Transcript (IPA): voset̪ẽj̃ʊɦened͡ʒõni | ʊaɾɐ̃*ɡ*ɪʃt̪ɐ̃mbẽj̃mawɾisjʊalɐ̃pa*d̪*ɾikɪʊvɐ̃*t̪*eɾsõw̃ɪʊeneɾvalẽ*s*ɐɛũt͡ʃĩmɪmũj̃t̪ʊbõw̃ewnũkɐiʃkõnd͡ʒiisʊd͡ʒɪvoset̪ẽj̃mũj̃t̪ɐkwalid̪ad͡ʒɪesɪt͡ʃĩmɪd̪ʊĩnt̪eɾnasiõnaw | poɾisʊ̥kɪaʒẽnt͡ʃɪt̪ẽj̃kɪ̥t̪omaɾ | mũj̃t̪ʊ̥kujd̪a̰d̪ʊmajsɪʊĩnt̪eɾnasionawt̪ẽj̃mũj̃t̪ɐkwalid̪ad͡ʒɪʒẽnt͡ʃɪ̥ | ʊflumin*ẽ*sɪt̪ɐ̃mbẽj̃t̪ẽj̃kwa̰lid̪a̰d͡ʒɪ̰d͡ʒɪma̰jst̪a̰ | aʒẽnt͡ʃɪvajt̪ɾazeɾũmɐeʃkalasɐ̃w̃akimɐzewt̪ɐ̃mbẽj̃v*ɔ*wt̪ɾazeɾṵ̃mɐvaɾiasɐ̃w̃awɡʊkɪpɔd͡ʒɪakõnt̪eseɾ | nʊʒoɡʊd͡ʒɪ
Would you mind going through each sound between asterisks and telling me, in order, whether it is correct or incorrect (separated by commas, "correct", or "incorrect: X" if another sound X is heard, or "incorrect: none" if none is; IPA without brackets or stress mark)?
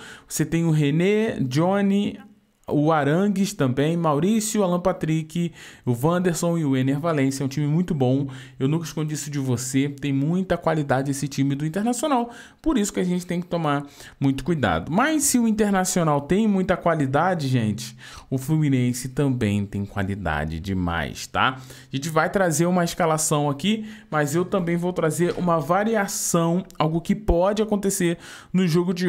correct, incorrect: t̪, incorrect: d̪, correct, correct, incorrect: o